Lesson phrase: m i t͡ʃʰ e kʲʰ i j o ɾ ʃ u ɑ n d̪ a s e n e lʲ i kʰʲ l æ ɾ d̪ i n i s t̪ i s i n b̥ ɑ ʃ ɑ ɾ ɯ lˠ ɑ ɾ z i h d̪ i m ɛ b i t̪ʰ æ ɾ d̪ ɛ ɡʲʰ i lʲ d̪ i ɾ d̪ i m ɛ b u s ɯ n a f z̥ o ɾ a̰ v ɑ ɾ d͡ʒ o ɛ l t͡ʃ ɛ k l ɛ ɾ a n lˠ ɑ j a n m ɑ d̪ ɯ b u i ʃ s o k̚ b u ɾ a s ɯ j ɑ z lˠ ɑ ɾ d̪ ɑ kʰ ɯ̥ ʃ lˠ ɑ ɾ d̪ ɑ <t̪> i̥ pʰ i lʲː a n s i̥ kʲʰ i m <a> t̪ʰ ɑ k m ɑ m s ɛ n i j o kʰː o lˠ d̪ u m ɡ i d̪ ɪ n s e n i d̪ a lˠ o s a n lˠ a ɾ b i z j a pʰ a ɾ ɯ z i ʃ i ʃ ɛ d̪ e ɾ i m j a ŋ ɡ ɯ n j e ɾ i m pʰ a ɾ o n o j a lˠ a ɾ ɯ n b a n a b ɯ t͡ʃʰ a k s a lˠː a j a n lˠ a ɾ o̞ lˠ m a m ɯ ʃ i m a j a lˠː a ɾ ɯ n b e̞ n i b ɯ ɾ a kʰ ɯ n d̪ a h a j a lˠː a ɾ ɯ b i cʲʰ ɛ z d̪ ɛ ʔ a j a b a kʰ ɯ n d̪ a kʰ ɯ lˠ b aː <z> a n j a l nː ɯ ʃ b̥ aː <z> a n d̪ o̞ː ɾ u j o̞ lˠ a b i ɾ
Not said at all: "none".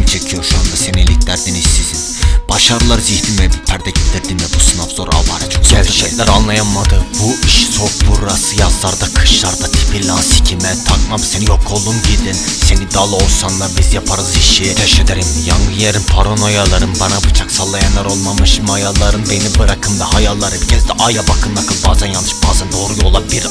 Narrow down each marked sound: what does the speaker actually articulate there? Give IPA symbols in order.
t̪ʰ, ɛ, z, z

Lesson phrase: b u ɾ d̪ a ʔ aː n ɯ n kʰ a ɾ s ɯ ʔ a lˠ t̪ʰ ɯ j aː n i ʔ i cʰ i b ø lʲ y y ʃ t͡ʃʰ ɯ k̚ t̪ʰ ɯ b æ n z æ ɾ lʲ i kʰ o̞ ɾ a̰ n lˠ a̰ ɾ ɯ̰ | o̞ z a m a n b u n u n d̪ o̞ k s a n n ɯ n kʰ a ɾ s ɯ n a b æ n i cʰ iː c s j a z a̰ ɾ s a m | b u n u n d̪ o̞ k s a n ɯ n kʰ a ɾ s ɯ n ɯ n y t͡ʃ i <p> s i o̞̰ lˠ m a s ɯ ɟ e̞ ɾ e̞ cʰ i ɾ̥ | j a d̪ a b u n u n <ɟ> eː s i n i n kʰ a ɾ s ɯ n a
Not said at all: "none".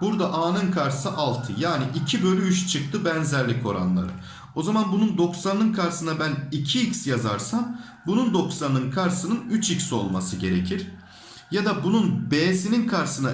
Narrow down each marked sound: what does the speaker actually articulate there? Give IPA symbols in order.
c, b

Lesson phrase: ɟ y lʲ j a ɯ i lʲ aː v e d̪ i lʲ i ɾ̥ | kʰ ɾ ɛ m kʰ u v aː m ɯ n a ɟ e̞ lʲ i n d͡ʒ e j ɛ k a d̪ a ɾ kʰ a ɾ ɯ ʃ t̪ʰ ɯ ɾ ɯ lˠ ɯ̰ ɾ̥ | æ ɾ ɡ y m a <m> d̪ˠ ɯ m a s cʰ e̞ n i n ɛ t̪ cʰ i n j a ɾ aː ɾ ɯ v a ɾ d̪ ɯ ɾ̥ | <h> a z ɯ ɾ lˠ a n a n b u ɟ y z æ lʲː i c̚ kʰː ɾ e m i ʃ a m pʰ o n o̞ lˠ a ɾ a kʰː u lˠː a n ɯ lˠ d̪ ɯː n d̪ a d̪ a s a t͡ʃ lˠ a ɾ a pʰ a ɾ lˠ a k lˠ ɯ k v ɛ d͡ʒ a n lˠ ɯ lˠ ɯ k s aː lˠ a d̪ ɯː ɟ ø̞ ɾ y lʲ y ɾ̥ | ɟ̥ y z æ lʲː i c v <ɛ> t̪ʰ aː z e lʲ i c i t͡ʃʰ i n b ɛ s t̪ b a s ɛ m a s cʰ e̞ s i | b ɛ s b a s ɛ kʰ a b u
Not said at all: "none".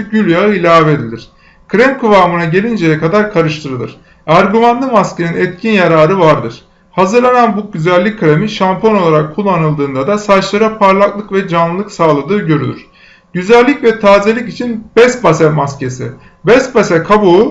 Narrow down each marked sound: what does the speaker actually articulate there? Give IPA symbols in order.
n, h, ɛ

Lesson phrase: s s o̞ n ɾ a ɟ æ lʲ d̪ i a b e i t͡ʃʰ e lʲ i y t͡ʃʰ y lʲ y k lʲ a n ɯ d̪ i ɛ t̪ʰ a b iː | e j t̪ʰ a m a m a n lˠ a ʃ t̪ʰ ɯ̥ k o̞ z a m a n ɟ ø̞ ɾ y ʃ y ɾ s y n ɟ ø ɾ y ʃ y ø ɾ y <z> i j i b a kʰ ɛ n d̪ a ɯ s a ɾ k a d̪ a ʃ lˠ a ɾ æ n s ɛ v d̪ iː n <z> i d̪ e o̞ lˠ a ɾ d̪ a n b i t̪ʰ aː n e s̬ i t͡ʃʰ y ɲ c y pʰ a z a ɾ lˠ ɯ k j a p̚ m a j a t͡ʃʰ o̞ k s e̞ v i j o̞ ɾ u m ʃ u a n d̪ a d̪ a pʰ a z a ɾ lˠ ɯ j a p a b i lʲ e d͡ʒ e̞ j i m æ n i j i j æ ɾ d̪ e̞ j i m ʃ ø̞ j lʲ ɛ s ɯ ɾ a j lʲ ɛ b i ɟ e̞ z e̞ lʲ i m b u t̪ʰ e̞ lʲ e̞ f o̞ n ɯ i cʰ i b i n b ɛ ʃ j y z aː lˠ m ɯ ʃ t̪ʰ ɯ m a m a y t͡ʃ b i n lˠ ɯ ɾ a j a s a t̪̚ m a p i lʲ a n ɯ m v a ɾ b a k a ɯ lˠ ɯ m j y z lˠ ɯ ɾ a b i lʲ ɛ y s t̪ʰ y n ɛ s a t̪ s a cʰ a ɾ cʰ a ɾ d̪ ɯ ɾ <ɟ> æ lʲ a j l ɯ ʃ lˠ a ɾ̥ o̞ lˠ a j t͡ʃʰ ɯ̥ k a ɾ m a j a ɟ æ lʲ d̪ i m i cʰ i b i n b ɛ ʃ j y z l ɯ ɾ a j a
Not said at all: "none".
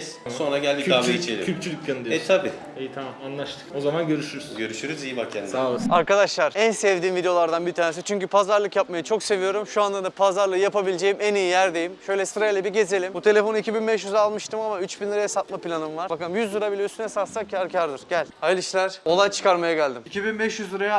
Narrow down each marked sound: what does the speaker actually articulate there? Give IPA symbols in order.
z, v, ɟ

